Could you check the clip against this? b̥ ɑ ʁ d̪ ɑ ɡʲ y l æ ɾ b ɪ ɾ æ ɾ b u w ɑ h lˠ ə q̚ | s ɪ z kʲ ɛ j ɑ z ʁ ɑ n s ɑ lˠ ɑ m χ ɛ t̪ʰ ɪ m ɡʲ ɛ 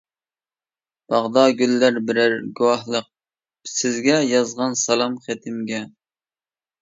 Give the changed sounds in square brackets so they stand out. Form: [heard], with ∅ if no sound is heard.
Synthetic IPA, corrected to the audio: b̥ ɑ ʁ d̪ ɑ ɡʲ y [lː] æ ɾ b ɪ ɾ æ ɾ [ɡ] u w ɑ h lˠ ə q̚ | s ɪ z [ɡʲ] ɛ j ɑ z ʁ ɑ n s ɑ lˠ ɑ m χ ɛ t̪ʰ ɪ m ɡʲ ɛ